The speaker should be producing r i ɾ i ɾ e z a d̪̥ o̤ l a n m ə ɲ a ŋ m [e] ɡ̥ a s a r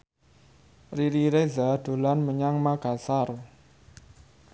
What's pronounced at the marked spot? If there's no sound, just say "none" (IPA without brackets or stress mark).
a